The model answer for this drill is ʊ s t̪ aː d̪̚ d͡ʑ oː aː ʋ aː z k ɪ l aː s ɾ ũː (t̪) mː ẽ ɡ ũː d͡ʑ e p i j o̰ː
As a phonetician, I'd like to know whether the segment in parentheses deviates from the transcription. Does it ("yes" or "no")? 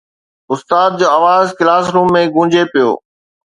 yes